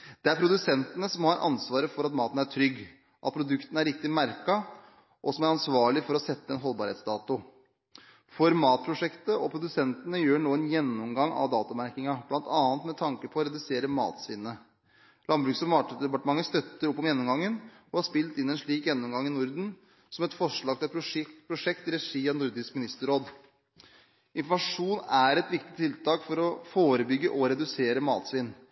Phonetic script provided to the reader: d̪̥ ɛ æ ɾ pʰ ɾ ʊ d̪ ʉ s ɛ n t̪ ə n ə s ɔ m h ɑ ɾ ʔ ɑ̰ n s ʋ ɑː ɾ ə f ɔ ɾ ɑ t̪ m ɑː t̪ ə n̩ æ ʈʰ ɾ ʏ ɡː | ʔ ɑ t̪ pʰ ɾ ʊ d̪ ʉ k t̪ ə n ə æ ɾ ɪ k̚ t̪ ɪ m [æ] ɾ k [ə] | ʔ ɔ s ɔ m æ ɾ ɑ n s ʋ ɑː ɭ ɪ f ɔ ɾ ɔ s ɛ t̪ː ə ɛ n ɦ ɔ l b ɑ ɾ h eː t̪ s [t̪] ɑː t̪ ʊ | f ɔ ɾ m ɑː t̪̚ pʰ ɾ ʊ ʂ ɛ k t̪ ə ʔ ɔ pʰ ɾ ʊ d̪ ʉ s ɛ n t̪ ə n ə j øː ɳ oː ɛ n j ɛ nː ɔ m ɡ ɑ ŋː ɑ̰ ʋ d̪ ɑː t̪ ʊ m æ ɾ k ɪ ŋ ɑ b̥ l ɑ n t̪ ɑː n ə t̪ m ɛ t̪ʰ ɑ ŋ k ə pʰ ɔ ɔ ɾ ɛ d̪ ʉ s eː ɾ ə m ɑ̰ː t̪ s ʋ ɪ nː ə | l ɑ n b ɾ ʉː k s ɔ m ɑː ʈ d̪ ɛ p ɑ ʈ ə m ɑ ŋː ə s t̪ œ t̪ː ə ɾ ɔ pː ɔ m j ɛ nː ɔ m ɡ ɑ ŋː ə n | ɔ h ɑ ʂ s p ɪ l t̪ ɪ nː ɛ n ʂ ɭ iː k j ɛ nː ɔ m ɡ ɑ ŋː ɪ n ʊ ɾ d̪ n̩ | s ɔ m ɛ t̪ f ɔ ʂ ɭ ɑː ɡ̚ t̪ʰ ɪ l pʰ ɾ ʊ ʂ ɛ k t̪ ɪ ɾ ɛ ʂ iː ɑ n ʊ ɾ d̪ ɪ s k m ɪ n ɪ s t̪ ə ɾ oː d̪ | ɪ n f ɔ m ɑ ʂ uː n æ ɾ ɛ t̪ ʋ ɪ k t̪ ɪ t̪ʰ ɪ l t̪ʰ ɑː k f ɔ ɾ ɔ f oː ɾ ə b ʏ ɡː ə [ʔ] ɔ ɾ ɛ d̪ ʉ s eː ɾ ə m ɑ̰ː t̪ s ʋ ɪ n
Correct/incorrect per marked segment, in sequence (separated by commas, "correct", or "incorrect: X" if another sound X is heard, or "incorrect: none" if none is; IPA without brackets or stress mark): correct, incorrect: ɑ, incorrect: d̪, correct